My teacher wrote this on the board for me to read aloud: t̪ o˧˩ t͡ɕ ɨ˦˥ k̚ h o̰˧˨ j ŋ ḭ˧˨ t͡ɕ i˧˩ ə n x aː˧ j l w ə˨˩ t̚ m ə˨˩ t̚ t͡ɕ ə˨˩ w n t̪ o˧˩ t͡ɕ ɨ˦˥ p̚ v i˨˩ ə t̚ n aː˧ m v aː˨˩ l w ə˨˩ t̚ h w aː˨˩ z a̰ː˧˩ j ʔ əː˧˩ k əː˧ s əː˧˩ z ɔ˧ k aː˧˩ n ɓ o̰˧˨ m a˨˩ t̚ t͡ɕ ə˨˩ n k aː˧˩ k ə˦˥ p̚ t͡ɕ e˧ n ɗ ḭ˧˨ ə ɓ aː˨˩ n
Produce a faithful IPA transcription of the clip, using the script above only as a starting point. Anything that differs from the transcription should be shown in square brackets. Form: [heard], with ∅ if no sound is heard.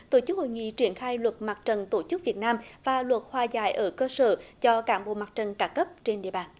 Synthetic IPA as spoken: t̪ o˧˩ t͡ɕ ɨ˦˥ k̚ h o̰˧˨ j ŋ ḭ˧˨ t͡ɕ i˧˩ ə n x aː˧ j l w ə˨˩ t̚ m [a˨˩] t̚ t͡ɕ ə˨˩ [∅] n t̪ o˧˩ t͡ɕ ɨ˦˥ [k̚] v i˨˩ ə t̚ n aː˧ m v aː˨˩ l w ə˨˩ t̚ h w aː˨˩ z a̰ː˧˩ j ʔ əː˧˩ k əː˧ s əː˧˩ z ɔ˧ k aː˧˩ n ɓ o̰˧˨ m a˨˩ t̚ t͡ɕ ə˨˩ n k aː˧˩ k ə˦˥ p̚ t͡ɕ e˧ n ɗ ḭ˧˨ ə ɓ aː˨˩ n